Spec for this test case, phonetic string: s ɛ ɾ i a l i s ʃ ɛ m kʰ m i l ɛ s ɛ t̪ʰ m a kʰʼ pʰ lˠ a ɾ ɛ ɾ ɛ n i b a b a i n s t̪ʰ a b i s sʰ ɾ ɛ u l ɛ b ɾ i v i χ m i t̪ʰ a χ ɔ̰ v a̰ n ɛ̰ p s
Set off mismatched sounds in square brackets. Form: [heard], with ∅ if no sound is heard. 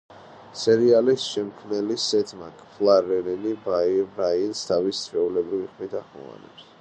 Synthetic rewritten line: s ɛ ɾ i a l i s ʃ ɛ m kʰ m [ɛ] l [i] s ɛ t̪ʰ m a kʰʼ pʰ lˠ a ɾ ɛ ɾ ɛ n i b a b a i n s t̪ʰ a [v] i s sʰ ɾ ɛ u l ɛ b ɾ i v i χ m i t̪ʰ a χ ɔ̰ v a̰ n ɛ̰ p s

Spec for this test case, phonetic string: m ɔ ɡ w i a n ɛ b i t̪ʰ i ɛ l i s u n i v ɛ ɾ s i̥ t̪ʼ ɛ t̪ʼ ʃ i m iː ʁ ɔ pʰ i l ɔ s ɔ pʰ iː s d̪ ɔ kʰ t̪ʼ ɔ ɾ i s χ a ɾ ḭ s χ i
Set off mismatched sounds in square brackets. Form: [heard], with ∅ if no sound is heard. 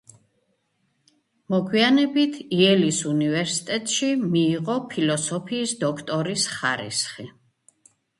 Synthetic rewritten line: m ɔ ɡ w i a n ɛ b i t̪ʰ i ɛ l i s u n i v ɛ ɾ s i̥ t̪ʼ ɛ t̪ʼ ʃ i m iː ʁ ɔ pʰ i l ɔ s ɔ pʰ iː s d̪ ɔ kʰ t̪ʼ ɔ ɾ i s χ a ɾ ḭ s χ i

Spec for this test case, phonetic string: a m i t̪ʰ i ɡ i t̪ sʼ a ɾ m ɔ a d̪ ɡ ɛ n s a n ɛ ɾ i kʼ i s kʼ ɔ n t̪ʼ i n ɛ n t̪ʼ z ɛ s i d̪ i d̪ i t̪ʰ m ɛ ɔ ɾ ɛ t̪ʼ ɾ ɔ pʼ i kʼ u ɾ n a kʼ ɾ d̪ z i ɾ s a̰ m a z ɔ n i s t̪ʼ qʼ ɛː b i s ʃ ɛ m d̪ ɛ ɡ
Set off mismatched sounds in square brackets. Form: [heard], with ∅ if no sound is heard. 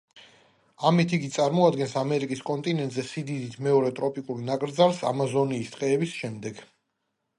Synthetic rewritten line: a m i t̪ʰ i ɡ i t̪ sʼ a ɾ m ɔ a d̪ ɡ ɛ n s a [m] ɛ ɾ i kʼ i s kʼ ɔ n t̪ʼ i n ɛ n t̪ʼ z ɛ s i d̪ i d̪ i t̪ʰ m ɛ ɔ ɾ ɛ t̪ʼ ɾ ɔ pʼ i kʼ u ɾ n a kʼ ɾ d̪ z [a] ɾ s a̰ m a z ɔ n [iː] s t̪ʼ qʼ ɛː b i s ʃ ɛ m d̪ ɛ ɡ

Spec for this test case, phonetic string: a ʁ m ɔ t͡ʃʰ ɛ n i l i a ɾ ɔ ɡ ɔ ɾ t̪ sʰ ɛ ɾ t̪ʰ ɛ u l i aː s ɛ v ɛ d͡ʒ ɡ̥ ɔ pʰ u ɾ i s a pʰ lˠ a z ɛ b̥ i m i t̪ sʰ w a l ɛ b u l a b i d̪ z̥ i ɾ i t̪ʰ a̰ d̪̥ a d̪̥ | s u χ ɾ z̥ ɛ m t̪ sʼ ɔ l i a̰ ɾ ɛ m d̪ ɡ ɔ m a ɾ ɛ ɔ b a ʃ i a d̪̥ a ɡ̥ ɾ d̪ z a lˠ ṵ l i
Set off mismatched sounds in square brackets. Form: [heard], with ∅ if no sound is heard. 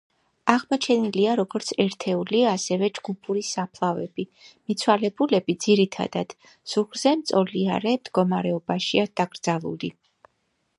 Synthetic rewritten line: a ʁ m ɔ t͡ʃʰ ɛ n i l i a ɾ ɔ ɡ ɔ ɾ t̪ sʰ ɛ ɾ t̪ʰ ɛ u l i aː s ɛ v ɛ d͡ʒ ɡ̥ [u] pʰ u ɾ i s a pʰ lˠ a [v] ɛ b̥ i m i t̪ sʰ w a l ɛ b u l [ɛ] b i d̪ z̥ i ɾ i t̪ʰ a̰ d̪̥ a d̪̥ | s u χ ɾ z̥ ɛ m t̪ sʼ ɔ l i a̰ ɾ ɛ m d̪ ɡ ɔ m a ɾ ɛ ɔ b a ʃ i a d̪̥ a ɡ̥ ɾ d̪ z a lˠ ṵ l i

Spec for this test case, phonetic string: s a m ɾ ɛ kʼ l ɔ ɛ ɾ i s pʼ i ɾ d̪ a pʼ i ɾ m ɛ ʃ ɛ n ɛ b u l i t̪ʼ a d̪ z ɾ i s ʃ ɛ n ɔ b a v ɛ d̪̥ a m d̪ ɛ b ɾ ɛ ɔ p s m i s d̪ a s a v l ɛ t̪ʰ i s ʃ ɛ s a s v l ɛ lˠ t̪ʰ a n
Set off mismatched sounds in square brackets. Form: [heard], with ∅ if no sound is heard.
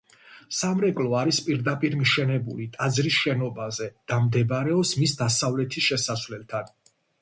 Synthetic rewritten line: s a m ɾ ɛ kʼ l ɔ [a] ɾ i s pʼ i ɾ d̪ a pʼ i ɾ m [i] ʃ ɛ n ɛ b u l i t̪ʼ a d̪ z ɾ i s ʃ ɛ n ɔ b a [z] ɛ d̪̥ a m d̪ ɛ b ɾ ɛ ɔ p s m i s d̪ a s a v l ɛ t̪ʰ i s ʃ ɛ s a s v l ɛ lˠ t̪ʰ a n

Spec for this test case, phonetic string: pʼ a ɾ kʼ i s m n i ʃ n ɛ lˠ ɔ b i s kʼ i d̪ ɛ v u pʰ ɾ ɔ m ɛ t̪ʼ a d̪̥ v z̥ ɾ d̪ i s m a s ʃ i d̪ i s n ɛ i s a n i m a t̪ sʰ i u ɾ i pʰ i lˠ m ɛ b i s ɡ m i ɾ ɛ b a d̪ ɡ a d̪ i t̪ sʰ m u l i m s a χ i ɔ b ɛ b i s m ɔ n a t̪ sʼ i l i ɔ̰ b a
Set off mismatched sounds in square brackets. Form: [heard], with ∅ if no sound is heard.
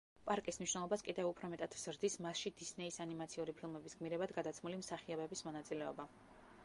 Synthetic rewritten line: pʼ a ɾ kʼ i s m n i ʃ n ɛ lˠ ɔ b [a] s kʼ i d̪ ɛ v u pʰ ɾ ɔ m ɛ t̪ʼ a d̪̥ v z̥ ɾ d̪ i s m a s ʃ i d̪ i s n ɛ i s a n i m a t̪ sʰ i u ɾ i pʰ i lˠ m ɛ b i s ɡ m i ɾ ɛ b a d̪ ɡ a d̪ [a] t̪ sʰ m u l i m s a χ i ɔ b ɛ b i s m ɔ n a t̪ sʼ i l [ɛ] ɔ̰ b a

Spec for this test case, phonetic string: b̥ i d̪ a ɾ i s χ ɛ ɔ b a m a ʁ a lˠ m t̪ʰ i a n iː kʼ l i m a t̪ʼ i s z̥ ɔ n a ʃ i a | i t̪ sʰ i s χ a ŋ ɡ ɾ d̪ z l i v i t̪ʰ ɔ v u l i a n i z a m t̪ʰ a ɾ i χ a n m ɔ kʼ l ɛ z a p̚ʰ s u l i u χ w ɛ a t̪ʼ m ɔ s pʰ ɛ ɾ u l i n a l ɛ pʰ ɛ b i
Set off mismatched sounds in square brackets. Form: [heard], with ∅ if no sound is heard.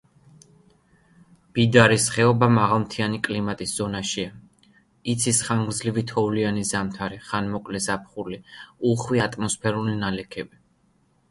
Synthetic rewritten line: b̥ i d̪ a ɾ i s χ ɛ ɔ b a m a ʁ a lˠ m t̪ʰ i a n [i] kʼ l i m a t̪ʼ i s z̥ ɔ n a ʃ i a | i t̪ sʰ i s χ a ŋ ɡ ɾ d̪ z l i v i t̪ʰ ɔ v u l i a n i z a m t̪ʰ a ɾ i χ a n m ɔ kʼ l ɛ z a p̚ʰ [χ] u l i u χ w [i] a t̪ʼ m ɔ s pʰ ɛ ɾ u l i n a l ɛ [kʰ] ɛ b i

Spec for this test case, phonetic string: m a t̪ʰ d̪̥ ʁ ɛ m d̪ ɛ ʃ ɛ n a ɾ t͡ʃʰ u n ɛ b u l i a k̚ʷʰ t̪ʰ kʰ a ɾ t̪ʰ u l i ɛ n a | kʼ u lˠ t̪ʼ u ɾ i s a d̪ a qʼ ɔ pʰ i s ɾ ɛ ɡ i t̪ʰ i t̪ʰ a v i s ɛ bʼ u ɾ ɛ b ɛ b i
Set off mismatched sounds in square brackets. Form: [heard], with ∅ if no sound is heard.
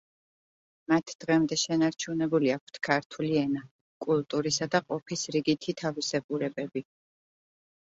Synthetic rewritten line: m a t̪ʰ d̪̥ ʁ ɛ m d̪ ɛ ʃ ɛ n a ɾ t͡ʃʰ u n ɛ b u l i a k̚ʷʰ t̪ʰ kʰ a ɾ t̪ʰ u l i ɛ n a | kʼ u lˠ t̪ʼ u ɾ i s a d̪ a qʼ ɔ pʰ i s ɾ [i] ɡ i t̪ʰ i t̪ʰ a v i s ɛ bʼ u ɾ ɛ b ɛ b i

